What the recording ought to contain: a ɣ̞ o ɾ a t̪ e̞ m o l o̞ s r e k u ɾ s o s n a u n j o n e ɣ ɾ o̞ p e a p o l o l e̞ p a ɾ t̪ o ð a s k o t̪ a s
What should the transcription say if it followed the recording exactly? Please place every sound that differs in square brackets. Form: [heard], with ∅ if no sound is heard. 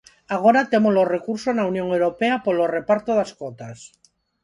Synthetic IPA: a ɣ̞ o ɾ a t̪ e̞ m o l o̞ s r e k u ɾ s o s n a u n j o [ŋ] e [w] ɾ o̞ p e a p o l o [r] e̞ p a ɾ t̪ o ð a s k o t̪ a s